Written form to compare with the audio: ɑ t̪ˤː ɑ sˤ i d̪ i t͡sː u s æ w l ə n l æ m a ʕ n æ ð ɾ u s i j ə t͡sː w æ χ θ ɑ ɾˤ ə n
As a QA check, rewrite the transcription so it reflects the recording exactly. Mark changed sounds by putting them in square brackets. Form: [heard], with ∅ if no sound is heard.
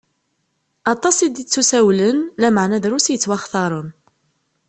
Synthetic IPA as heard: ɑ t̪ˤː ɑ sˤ i d̪ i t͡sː u s æ w l ə n l æ m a ʕ n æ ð ɾ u s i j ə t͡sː w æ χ θ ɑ ɾˤ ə n